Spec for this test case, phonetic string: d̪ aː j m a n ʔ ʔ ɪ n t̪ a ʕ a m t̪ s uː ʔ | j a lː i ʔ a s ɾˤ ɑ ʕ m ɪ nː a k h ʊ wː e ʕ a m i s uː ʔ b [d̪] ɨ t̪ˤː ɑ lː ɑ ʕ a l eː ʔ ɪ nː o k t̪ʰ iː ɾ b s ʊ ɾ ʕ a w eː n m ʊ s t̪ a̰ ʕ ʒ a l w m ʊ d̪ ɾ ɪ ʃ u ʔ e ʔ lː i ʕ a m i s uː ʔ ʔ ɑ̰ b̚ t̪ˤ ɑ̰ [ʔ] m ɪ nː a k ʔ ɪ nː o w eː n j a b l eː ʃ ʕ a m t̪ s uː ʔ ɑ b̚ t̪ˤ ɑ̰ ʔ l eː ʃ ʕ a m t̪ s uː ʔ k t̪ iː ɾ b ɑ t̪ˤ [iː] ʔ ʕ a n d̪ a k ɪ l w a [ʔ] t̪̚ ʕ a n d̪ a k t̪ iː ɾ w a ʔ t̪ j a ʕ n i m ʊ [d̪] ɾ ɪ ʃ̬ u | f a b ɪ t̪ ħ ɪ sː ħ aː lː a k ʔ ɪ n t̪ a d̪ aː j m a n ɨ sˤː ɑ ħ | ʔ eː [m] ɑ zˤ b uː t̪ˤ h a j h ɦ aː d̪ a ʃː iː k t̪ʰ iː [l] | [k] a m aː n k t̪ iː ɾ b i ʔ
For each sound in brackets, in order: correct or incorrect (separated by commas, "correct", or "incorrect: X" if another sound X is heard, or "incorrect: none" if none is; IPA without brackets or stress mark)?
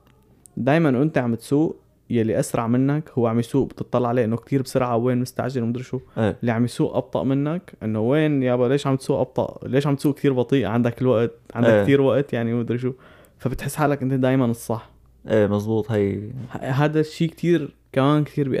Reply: incorrect: t̪, correct, correct, correct, correct, correct, incorrect: ɾ, correct